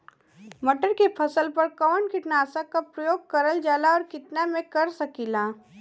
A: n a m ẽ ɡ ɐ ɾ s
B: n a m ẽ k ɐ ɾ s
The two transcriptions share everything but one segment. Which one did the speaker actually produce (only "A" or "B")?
B